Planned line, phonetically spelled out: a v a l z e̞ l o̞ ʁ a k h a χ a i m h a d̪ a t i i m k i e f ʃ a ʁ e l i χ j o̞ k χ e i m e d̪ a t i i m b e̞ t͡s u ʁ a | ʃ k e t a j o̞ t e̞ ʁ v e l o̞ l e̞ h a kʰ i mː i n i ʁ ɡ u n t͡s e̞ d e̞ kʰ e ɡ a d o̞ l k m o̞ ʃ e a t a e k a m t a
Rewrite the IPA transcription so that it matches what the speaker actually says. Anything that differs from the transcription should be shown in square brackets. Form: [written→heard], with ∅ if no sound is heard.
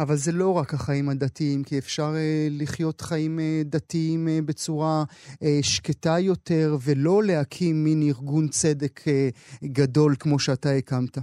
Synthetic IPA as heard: a v a l z e̞ l o̞ ʁ a k h a χ a i m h a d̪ a t i i m k i e f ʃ a ʁ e l i χ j o̞ [k→t] χ [e→a] i m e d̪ a t i i m b e̞ t͡s u ʁ a | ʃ k e t a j o̞ t e̞ ʁ v e l o̞ l e̞ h a kʰ i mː i n i ʁ ɡ u n t͡s e̞ d e̞ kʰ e ɡ a d o̞ l k m o̞ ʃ e a t a e k a m t a